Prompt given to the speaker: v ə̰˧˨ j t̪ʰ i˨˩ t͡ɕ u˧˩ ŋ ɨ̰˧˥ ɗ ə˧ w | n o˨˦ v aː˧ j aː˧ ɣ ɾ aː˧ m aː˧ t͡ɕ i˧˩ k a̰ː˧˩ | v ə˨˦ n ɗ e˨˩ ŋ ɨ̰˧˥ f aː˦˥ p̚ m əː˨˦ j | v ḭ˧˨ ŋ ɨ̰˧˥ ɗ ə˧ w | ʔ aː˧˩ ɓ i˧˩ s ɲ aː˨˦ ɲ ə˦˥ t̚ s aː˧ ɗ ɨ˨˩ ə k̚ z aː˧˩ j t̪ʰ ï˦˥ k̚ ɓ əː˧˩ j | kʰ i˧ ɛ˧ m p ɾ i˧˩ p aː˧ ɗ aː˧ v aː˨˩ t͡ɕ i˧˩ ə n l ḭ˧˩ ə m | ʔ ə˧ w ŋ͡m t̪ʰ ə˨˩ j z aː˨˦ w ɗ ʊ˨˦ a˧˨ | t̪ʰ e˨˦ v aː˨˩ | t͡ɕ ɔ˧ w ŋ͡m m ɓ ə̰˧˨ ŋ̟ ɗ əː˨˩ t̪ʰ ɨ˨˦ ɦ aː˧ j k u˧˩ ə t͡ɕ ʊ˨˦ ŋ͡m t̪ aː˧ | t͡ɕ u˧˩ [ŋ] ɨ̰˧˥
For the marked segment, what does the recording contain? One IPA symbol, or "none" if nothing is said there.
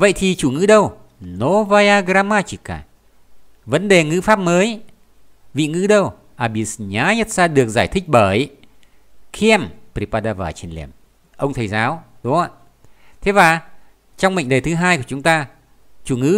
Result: ŋ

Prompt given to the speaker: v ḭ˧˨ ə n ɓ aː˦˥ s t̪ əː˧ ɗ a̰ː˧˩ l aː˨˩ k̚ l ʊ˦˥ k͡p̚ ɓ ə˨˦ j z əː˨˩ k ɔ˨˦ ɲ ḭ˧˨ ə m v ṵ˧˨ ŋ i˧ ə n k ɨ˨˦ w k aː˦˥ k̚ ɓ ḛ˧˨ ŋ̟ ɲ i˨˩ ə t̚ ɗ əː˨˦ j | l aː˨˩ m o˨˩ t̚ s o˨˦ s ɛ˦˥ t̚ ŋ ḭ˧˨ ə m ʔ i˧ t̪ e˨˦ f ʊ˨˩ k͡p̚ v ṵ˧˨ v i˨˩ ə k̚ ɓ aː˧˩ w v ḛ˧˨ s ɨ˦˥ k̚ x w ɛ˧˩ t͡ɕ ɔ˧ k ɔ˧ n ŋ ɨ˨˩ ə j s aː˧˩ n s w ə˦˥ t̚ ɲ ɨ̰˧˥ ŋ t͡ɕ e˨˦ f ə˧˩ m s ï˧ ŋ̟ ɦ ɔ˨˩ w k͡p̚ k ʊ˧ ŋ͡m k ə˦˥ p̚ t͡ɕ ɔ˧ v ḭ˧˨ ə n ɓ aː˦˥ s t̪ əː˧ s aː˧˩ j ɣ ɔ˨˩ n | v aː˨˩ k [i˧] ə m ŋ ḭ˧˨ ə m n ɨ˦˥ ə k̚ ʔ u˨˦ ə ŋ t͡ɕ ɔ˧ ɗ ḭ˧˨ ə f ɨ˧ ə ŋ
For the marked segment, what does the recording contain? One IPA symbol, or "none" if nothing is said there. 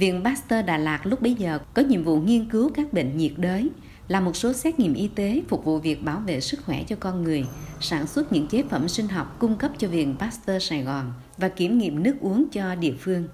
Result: i˧˩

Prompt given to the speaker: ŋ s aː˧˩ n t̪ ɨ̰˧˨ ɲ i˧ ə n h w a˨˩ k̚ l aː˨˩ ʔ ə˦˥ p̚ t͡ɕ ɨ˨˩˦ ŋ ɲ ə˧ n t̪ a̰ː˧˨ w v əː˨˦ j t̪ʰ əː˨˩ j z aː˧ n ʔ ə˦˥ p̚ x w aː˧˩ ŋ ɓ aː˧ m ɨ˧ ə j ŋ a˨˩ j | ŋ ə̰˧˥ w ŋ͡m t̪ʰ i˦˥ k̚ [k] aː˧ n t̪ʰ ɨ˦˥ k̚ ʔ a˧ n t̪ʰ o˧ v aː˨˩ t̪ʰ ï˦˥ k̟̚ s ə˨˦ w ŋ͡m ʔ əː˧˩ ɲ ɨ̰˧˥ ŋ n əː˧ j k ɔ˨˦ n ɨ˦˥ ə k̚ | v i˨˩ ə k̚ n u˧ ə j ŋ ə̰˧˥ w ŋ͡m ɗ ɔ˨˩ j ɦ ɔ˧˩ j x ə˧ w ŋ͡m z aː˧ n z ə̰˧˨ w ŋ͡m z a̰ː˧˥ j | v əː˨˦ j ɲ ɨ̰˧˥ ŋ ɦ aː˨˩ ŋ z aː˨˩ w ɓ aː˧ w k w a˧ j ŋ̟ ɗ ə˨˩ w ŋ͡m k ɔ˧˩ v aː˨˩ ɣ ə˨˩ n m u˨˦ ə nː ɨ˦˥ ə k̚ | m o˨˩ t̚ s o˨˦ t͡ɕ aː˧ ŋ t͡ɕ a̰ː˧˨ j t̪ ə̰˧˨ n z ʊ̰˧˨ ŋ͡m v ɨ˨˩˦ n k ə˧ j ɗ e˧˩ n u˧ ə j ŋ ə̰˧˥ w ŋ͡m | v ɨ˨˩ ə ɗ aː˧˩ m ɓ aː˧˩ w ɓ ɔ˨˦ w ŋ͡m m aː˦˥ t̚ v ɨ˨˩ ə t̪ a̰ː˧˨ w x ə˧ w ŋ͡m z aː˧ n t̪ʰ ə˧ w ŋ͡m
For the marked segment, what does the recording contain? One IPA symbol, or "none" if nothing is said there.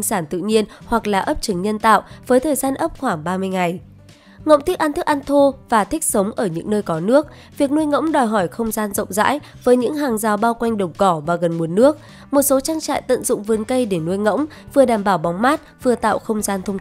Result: ʔ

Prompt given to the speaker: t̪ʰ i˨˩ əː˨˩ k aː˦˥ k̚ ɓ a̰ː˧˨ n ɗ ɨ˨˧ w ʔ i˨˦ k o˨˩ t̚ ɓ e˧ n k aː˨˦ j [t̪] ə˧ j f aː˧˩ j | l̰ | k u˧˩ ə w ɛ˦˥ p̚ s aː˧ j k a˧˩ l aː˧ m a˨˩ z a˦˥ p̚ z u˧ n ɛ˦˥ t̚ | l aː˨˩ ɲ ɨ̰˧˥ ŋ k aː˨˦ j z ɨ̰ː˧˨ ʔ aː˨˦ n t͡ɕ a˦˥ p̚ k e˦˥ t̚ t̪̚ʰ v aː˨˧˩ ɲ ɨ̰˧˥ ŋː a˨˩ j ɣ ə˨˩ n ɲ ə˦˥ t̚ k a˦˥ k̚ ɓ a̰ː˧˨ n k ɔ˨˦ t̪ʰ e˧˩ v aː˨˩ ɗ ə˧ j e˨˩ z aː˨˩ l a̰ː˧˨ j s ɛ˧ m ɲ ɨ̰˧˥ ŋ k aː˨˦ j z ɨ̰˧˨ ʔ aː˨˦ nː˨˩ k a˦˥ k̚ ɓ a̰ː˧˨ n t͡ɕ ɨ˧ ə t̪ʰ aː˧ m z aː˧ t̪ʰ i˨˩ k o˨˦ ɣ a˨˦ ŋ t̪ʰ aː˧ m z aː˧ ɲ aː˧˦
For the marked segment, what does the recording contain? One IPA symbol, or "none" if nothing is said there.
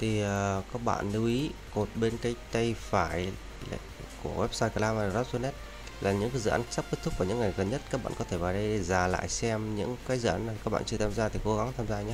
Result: t̪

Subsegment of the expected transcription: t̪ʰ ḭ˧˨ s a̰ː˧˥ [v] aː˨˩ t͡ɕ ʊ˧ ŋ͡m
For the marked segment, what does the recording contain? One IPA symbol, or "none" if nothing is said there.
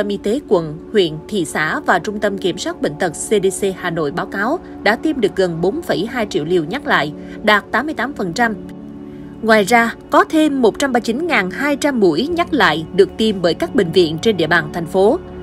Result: v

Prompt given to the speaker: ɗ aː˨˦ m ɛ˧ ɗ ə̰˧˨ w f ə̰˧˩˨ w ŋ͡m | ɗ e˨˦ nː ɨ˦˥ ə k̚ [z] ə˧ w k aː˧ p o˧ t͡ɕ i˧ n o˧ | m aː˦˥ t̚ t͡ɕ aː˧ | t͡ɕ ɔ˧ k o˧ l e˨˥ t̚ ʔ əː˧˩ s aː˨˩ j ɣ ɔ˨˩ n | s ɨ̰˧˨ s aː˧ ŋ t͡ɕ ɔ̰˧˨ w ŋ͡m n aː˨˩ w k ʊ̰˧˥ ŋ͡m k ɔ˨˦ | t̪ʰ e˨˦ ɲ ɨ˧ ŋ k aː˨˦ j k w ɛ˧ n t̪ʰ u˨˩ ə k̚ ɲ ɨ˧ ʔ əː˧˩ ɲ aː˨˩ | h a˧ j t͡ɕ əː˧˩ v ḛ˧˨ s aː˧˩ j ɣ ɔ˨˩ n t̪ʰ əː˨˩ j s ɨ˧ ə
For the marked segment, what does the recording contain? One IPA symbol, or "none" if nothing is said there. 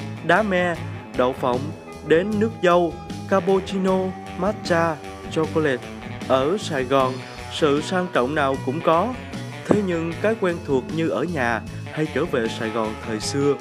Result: z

